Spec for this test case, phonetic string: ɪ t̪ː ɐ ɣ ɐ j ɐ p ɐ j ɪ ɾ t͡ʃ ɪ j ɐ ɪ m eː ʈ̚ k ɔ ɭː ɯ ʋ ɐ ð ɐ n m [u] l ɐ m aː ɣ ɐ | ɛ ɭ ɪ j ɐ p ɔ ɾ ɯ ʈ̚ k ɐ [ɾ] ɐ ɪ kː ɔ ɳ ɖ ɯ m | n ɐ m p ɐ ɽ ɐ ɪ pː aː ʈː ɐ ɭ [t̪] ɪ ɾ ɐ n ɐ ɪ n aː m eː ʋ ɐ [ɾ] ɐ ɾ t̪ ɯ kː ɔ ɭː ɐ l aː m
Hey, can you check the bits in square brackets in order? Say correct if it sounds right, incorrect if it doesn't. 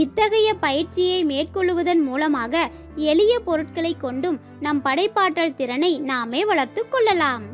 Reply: incorrect, incorrect, correct, incorrect

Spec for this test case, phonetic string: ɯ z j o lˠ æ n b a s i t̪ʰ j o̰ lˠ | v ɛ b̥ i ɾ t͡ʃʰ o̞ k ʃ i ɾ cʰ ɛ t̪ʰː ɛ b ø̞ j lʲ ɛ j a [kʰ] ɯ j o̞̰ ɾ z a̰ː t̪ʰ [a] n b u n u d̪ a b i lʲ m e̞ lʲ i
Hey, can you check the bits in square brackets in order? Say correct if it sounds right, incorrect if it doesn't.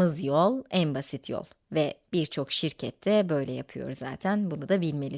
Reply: incorrect, incorrect

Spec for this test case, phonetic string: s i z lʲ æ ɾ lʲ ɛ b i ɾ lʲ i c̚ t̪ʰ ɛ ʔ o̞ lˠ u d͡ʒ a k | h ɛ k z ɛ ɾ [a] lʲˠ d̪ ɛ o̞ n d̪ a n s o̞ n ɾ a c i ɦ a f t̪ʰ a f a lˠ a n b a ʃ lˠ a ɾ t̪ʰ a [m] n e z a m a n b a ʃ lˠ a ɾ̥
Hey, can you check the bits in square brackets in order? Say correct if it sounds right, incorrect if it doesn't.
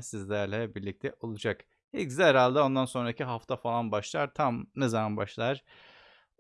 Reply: correct, correct

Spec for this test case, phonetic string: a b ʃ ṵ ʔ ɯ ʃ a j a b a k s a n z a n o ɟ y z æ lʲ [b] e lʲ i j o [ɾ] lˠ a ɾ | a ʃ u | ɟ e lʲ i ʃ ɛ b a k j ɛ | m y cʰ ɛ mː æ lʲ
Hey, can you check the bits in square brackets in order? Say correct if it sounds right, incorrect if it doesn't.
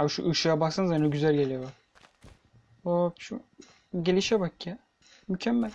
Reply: incorrect, incorrect

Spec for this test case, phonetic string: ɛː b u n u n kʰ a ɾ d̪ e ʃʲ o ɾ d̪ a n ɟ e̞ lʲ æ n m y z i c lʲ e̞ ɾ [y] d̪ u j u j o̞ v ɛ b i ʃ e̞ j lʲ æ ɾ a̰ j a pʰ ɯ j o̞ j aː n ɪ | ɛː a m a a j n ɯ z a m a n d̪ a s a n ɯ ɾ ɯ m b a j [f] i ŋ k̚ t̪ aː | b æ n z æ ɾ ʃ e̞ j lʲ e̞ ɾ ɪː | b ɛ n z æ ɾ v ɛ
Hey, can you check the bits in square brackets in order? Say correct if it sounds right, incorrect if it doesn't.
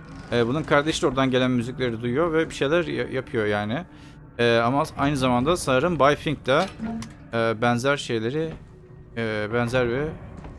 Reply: incorrect, correct

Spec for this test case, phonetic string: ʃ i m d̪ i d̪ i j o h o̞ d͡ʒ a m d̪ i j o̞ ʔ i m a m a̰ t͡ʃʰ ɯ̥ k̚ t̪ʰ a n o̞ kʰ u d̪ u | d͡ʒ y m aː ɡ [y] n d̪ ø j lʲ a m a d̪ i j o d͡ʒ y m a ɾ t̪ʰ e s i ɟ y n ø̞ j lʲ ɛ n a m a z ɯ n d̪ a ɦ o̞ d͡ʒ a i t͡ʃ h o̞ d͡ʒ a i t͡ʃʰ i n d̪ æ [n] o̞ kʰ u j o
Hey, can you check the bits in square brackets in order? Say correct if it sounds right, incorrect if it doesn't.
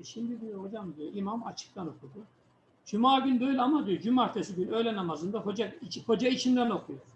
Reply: correct, correct

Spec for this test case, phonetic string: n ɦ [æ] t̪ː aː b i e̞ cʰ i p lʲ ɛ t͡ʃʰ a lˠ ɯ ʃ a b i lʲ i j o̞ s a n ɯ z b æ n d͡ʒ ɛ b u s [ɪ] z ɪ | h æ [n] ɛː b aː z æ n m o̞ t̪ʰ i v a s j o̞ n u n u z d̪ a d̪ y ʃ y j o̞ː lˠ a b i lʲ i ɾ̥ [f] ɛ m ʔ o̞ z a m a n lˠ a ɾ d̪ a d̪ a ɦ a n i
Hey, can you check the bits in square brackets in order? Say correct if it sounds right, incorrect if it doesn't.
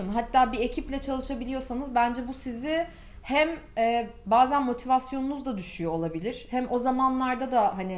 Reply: incorrect, incorrect, incorrect, incorrect

